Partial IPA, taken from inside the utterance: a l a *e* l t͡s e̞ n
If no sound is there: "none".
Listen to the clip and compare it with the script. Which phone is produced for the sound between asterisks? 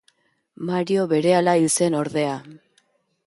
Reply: i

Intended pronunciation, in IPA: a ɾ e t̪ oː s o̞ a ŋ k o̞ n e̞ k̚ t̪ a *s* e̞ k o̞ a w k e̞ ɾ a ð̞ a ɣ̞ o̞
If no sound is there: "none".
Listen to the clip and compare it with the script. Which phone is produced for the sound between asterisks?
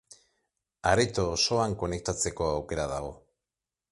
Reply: t͡s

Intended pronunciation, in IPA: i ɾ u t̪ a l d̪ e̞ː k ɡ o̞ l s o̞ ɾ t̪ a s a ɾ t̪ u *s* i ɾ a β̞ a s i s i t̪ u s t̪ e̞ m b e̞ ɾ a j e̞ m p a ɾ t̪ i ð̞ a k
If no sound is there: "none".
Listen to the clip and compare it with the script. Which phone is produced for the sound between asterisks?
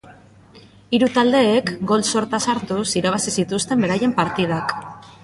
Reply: s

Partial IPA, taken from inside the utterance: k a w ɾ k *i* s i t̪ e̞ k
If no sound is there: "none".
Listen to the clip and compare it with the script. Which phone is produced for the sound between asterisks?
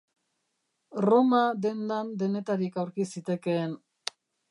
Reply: i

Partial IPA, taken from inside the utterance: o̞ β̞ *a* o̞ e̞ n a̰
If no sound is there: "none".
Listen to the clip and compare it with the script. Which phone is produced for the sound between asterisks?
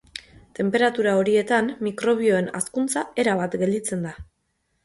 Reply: i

